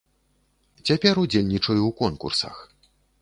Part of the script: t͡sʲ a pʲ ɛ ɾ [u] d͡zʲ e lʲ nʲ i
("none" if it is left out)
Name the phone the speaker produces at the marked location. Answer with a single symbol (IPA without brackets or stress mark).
u